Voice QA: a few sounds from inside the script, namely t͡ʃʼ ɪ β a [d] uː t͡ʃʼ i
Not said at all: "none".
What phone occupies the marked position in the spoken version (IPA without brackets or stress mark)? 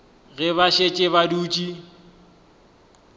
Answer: d